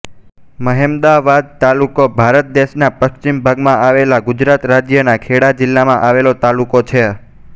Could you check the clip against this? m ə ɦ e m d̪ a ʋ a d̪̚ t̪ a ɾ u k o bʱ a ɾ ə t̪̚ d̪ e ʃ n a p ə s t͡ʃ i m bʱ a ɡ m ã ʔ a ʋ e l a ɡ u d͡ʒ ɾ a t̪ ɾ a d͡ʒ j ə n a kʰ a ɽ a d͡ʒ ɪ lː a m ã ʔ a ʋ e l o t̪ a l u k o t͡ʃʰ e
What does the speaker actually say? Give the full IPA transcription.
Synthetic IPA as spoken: m ə ɦ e m d̪ a ʋ a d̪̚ t̪ a l u k o bʱ a ɾ ə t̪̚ d̪ e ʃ n a p ə ʃ t͡ʃ i m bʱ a ɡ m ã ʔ a ʋ e l a ɡ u d͡ʒ ɾ a t̪ ɾ a d͡ʒ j ə n a kʰ e ɽ a d͡ʒ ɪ lː a m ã ʔ a ʋ e l o t̪ a l u k o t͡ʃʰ e